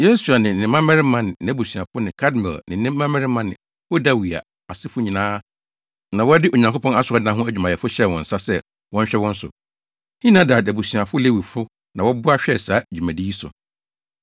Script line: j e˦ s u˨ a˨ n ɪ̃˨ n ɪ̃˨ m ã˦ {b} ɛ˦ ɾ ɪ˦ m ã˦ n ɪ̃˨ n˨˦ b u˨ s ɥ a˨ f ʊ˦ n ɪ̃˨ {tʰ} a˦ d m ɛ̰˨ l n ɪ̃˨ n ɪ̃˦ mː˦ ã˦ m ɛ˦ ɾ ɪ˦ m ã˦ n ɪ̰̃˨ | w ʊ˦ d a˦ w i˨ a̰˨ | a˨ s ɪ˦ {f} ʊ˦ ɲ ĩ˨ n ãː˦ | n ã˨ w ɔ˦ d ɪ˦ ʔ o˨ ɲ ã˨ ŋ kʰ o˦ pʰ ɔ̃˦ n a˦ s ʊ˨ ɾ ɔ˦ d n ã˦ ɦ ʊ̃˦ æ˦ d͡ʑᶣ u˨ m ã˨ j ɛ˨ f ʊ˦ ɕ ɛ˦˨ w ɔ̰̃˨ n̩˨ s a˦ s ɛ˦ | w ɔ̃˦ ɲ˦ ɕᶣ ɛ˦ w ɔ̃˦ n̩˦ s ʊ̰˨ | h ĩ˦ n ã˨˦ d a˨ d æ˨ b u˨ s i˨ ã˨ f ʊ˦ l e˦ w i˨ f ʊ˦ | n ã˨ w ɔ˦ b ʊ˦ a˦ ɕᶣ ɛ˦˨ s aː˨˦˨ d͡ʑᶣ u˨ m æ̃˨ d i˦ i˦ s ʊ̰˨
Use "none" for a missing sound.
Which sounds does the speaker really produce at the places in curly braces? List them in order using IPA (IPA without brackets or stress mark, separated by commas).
m, kʰ, f